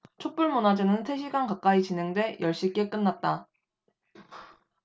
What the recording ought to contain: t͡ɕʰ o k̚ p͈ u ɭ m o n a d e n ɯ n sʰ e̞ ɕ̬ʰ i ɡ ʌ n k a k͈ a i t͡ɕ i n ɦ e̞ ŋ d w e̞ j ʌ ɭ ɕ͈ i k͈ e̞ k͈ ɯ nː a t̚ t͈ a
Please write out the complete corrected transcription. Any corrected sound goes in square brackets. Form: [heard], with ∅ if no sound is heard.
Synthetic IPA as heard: t͡ɕʰ o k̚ p͈ u ɭ m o n a [d͡ʑ] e n ɯ n sʰ e̞ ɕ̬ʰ i ɡ [a] n k a k͈ a i t͡ɕ i n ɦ e̞ ŋ d w e̞ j ʌ ɭ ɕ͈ i k͈ e̞ k͈ ɯ nː a t̚ t͈ a